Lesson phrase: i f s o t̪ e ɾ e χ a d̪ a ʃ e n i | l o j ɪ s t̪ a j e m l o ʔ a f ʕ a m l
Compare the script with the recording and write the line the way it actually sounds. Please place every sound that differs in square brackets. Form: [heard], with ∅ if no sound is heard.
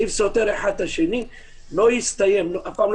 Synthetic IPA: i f s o t̪ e ɾ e [ħ] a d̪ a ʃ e n i | l o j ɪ s t̪ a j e m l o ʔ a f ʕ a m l